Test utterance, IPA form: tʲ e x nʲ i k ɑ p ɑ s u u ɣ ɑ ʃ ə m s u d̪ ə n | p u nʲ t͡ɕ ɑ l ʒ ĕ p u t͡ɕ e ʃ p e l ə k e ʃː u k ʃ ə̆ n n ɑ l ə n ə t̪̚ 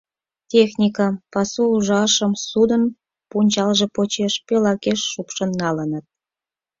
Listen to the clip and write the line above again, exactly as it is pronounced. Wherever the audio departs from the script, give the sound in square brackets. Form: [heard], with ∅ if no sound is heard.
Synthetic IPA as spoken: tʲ e x nʲ i k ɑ p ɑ s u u [ʒ] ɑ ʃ ə m s u d̪ ə n | p u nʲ t͡ɕ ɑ l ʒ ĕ p [o] t͡ɕ e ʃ p e l [ɑ] k e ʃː u [p] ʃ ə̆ n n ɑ l ə n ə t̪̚

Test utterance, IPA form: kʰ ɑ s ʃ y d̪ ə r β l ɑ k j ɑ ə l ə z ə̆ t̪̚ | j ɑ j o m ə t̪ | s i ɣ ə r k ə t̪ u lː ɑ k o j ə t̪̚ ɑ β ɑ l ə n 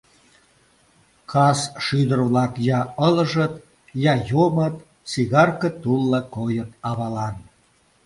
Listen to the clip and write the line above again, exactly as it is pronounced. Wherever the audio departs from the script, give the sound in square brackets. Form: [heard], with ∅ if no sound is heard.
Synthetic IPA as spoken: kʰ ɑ s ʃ y d̪ ə r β l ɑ k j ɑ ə l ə [ʒ] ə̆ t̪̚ | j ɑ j o m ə t̪ | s i ɣ [ɑ] r k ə t̪ u lː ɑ k o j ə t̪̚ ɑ β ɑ l [ɑ] n

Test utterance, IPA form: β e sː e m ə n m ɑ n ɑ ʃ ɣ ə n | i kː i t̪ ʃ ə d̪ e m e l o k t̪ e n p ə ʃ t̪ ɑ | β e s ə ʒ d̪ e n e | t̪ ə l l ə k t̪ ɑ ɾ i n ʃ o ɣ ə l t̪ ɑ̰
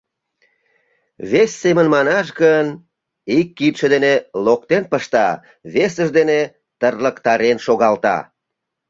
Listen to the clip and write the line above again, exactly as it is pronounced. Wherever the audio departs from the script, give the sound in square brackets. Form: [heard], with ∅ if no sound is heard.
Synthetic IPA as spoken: β e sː e m ə n m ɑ n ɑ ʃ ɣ ə n | i kː i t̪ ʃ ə d̪ e [n] e l o k t̪ e n p ə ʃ t̪ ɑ | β e s ə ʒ d̪ e n e | t̪ ə [r] l ə k t̪ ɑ ɾ [e] n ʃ o ɣ [ɑ] l t̪ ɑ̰

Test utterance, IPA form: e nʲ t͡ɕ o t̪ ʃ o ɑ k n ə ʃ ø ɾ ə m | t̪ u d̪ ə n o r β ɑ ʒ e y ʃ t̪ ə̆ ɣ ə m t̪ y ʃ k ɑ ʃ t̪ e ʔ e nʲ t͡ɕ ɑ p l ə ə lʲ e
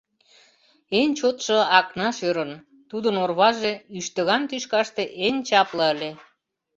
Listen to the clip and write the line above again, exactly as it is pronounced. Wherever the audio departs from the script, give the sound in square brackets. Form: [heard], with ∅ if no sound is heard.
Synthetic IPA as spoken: e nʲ t͡ɕ o t̪ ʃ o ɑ k n [ɑ] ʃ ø ɾ ə [n] | t̪ u d̪ ə n o r β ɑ ʒ e y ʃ t̪ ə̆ ɣ [ɑ] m t̪ y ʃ k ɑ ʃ t̪ e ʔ e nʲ t͡ɕ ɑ p l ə ə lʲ e

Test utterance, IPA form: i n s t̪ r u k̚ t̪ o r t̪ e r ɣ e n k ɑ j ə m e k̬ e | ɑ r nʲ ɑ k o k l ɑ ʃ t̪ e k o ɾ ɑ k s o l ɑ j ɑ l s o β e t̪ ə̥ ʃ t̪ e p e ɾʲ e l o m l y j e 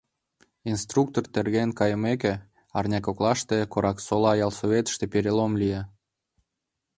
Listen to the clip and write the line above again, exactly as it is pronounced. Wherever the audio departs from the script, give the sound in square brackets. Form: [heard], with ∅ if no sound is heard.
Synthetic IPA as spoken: i n s t̪ r u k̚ t̪ o r t̪ e r ɣ e n k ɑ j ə m e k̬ e | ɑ r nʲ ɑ k o k l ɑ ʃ t̪ e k o ɾ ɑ k s o l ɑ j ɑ l s o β e t̪ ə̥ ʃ t̪ e p e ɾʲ e l o m l [i] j e

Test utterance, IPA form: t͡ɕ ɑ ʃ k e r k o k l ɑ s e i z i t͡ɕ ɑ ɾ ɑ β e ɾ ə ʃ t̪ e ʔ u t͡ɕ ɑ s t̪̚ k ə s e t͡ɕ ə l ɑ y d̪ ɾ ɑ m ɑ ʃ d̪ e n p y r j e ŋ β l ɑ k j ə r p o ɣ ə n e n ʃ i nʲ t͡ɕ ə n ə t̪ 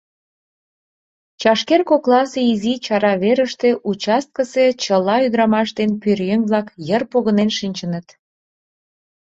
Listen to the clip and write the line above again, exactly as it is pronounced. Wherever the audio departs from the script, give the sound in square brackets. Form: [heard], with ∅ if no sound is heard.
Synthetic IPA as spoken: t͡ɕ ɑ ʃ k e r k o k l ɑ s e i z i t͡ɕ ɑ ɾ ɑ β e ɾ ə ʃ t̪ e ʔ u t͡ɕ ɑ s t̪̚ k ə s e t͡ɕ ə l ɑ y d̪ ɾ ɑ m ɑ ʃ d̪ e n p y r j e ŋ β l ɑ k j ə r p o ɣ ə n e n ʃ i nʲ t͡ɕ ə n ə t̪

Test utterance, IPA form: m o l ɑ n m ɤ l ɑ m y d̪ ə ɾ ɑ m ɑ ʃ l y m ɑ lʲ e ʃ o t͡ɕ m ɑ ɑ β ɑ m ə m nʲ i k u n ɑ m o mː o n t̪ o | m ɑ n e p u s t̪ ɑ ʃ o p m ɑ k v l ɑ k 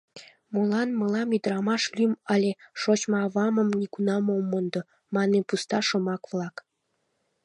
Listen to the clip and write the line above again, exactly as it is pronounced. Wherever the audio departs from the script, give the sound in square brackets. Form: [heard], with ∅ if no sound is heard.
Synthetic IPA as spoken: m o l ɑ n m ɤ l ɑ m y d̪ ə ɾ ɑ m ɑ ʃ l y m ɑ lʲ e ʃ o t͡ɕ m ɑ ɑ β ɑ m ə m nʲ i k u n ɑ m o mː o n [d̪] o | m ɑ n e p u s t̪ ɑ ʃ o [∅] m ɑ k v l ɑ k

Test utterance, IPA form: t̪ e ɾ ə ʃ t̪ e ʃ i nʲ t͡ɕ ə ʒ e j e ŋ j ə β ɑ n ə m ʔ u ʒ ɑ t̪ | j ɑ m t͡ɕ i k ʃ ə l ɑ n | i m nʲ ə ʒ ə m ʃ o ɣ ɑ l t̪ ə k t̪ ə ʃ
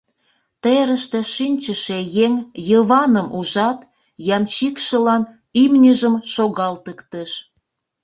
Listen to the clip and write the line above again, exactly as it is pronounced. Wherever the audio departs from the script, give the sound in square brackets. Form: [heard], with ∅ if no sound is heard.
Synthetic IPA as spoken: t̪ e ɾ ə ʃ t̪ e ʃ i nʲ t͡ɕ ə [ʃ] e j e ŋ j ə β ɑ n ə m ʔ u ʒ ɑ t̪ | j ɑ m t͡ɕ i k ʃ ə l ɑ n | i m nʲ ə ʒ ə m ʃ o ɣ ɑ l t̪ ə k t̪ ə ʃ

